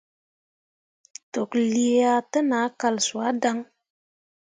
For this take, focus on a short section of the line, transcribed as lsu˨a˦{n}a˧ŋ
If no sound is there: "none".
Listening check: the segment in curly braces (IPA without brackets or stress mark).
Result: d